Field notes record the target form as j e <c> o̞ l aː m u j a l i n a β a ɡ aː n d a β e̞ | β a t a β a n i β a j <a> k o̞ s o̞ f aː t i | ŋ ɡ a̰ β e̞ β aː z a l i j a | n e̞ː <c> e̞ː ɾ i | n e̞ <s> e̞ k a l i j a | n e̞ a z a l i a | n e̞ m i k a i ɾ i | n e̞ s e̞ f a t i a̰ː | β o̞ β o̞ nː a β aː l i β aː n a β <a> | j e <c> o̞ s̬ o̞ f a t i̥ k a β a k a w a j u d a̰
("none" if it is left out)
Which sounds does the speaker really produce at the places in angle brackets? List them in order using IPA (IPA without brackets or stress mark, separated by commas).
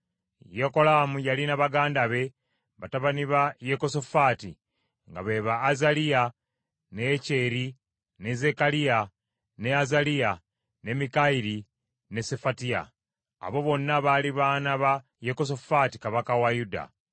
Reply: k, e, c, z, a, k